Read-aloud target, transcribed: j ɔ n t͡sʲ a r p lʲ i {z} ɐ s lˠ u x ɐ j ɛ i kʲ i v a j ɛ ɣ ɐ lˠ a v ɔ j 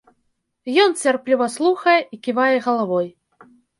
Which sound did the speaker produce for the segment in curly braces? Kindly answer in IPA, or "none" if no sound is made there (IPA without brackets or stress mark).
v